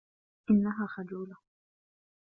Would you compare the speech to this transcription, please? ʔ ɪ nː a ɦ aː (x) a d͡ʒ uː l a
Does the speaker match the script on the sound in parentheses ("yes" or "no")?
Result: yes